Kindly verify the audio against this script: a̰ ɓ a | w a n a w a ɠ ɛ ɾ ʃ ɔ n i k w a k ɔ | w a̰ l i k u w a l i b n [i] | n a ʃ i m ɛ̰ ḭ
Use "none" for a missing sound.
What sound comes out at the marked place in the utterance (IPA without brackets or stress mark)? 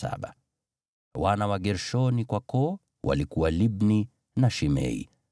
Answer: i